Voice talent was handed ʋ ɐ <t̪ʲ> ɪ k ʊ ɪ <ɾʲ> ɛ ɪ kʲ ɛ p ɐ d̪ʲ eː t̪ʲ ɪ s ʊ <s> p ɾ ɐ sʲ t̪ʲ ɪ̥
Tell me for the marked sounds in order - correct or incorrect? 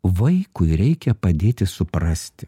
incorrect: none, correct, incorrect: none

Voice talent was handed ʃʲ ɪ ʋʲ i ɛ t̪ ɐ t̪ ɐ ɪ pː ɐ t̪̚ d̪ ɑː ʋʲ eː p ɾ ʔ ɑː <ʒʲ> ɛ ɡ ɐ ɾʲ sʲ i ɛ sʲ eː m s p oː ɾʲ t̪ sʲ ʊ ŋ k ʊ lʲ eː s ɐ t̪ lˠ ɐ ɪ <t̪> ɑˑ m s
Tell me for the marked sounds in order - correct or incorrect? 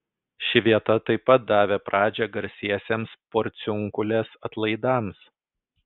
incorrect: d͡ʒʲ, incorrect: d̪

